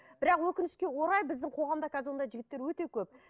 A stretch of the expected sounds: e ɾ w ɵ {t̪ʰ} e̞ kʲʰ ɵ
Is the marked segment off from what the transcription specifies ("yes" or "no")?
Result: yes